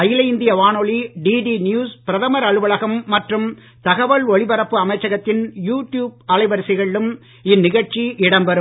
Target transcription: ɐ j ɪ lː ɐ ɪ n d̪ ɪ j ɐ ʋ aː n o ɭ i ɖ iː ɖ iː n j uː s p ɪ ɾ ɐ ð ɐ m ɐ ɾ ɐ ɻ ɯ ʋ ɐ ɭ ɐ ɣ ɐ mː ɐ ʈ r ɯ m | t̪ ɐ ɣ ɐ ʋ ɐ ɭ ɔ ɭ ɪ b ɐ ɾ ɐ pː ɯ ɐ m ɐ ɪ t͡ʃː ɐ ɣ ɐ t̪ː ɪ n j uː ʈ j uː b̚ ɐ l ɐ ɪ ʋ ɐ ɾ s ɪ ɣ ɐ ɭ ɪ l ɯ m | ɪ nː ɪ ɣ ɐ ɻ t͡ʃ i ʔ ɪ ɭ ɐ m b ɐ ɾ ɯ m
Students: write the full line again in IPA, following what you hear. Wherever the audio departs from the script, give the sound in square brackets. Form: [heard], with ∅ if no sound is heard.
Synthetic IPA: ɐ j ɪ [l] ɐ ɪ n d̪ ɪ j ɐ ʋ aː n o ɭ i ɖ iː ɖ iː n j uː s p ɪ ɾ ɐ ð ɐ m ɐ ɾ ɐ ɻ ɯ ʋ ɐ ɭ ɐ ɣ ɐ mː ɐ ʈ r ɯ m | t̪ ɐ ɣ ɐ ʋ ɐ ɭ ɔ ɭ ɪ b ɐ ɾ ɐ pː ɯ ɐ m ɐ ɪ t͡ʃː ɐ ɣ ɐ t̪ː ɪ n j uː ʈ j uː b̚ ɐ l ɐ ɪ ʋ ɐ ɾ s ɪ ɣ ɐ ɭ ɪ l ɯ m | ɪ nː ɪ ɣ ɐ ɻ t͡ʃ i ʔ ɪ [ɽ] ɐ m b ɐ ɾ ɯ m